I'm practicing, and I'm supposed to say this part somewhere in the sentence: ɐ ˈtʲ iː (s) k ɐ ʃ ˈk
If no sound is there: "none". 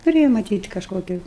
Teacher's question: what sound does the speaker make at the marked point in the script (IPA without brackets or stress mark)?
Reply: t